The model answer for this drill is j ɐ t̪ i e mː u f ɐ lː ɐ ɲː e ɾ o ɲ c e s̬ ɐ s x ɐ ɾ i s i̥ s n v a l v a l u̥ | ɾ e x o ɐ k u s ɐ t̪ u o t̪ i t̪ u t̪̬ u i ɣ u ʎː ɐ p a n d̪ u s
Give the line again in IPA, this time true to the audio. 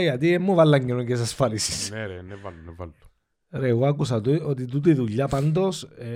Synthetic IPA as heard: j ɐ t̪ i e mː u v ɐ lː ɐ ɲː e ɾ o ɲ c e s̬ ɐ s f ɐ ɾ i s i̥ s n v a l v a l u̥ | ɾ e ɣ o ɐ k u s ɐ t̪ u o t̪ i t̪ u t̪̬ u i ð u ʎː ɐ p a n d̪ o s